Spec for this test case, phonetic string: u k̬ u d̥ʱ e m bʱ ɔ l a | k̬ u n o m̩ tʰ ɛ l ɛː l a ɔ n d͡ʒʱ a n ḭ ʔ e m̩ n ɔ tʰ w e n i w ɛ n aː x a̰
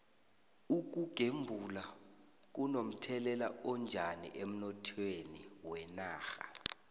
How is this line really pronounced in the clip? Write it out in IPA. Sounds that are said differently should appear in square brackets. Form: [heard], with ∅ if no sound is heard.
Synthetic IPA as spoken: u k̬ u [ɡ̥ʱ] e m bʱ [u] l a | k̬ u n o m̩ tʰ ɛ l [ɛ] l a ɔ n d͡ʒʱ a n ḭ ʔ e m̩ n ɔ tʰ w e n i w ɛ n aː x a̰